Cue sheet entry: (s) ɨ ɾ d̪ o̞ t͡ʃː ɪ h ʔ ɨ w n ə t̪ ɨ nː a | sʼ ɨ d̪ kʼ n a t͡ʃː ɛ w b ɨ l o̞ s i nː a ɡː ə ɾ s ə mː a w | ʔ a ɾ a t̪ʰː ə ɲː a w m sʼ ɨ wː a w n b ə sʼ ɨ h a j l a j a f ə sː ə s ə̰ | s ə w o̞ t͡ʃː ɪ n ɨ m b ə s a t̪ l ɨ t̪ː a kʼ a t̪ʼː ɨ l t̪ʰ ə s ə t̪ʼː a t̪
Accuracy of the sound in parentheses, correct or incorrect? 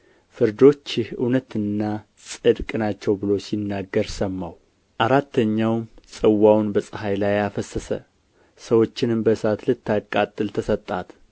incorrect